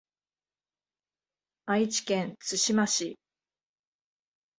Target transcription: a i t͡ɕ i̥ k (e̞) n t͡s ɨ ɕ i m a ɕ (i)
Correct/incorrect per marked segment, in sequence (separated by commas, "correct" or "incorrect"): incorrect, correct